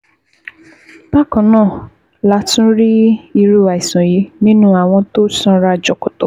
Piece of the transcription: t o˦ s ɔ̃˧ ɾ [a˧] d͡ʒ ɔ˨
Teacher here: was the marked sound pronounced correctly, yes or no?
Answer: yes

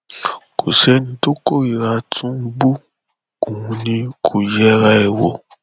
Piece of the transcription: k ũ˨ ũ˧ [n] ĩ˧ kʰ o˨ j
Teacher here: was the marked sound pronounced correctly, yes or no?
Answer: yes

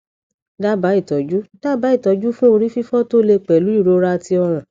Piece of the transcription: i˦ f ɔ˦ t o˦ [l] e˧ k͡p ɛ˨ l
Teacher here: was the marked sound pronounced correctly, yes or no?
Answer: yes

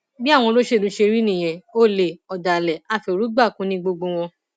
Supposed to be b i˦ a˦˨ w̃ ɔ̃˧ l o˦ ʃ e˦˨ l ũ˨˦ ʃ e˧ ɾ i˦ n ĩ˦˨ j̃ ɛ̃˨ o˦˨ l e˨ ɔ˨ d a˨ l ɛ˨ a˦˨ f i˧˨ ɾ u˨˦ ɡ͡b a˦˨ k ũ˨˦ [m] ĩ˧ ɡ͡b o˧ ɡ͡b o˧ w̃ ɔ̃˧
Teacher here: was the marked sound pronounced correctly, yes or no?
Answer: no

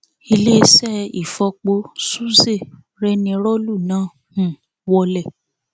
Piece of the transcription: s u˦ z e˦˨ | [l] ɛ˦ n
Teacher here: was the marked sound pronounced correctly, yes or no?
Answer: no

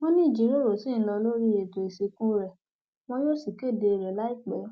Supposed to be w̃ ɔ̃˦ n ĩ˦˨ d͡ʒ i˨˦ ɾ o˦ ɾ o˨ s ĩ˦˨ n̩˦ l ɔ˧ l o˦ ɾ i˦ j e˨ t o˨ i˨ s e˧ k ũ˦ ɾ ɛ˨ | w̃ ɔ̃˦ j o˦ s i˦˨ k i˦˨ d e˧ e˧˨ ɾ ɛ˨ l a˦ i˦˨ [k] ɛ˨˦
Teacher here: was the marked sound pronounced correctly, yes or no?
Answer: no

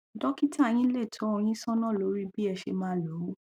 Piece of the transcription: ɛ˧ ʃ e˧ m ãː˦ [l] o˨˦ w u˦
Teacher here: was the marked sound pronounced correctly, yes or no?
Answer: yes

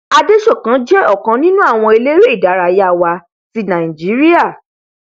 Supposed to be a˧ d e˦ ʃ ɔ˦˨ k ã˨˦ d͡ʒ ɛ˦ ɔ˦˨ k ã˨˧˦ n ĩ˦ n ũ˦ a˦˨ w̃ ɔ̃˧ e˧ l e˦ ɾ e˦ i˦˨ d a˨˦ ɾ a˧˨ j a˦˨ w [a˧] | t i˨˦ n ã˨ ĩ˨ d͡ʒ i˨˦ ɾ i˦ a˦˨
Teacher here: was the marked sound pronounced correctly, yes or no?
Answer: yes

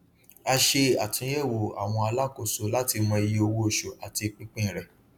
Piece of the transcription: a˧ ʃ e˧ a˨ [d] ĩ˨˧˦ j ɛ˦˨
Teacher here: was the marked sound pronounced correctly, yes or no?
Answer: no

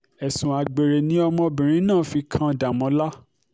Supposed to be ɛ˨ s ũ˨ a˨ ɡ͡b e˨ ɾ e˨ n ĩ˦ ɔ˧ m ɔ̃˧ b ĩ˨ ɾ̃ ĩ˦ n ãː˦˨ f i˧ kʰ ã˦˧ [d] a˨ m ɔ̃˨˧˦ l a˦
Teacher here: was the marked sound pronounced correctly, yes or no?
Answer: yes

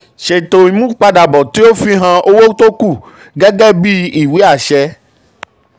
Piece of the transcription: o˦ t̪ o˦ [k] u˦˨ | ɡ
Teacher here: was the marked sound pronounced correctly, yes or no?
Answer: yes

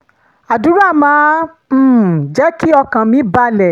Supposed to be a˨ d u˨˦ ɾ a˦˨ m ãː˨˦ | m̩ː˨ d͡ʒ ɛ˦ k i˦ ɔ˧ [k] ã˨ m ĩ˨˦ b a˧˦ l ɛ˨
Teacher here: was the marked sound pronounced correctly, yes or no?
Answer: yes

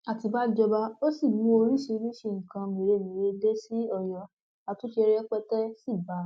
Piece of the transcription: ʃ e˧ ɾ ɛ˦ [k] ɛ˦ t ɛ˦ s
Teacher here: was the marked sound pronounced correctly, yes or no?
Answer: no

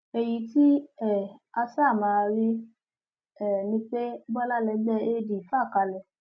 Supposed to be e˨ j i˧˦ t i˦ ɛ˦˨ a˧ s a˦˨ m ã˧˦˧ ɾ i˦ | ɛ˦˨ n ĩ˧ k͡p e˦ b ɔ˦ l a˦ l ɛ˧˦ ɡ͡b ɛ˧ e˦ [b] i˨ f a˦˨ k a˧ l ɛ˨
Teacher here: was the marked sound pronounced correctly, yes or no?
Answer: no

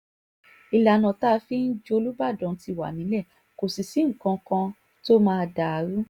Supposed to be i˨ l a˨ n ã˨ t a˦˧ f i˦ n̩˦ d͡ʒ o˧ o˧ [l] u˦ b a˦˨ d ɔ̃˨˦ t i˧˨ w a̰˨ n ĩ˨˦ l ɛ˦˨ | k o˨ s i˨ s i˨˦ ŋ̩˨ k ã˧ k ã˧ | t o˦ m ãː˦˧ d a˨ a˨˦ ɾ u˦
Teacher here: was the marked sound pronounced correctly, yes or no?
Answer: yes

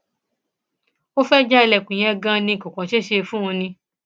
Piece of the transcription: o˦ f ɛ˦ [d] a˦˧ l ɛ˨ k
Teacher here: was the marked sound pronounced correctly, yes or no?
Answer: no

